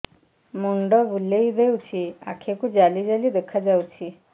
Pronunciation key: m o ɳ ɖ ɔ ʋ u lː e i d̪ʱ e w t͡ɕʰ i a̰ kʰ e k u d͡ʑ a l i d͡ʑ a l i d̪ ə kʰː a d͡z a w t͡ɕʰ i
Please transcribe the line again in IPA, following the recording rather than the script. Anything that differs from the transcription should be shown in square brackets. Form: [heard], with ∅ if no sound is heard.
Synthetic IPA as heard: m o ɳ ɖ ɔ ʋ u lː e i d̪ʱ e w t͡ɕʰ i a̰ kʰ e k u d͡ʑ a l i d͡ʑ a l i d̪ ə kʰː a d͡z a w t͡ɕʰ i